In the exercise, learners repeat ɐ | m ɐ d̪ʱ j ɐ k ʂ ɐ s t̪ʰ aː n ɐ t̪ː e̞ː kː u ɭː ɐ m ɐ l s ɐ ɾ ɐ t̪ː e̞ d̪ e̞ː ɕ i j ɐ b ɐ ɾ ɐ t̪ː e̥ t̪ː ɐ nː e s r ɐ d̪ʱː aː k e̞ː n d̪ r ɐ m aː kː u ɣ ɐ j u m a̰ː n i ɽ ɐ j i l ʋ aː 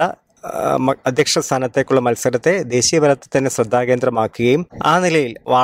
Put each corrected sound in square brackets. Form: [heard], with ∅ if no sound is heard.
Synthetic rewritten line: ɐ | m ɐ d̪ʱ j ɐ k ʂ ɐ s t̪ʰ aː n ɐ t̪ː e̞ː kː u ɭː ɐ m ɐ l s ɐ ɾ ɐ t̪ː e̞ d̪ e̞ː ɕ i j ɐ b ɐ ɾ ɐ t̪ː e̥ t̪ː ɐ nː e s r ɐ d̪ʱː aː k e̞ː n d̪ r ɐ m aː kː u ɣ ɐ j u m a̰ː n i [l] ɐ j i l ʋ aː